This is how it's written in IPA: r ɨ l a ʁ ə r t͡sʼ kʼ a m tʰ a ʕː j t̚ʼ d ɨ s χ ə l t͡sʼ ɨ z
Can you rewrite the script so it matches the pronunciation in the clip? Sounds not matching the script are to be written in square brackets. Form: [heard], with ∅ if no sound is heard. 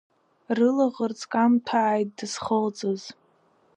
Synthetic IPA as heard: r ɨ l a ʁ ə r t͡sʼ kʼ a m tʰ a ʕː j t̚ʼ d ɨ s χ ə l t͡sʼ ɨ z